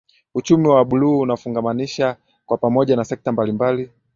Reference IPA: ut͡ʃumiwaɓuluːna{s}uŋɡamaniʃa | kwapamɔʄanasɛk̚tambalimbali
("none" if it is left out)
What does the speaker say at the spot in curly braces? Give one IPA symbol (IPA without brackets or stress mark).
f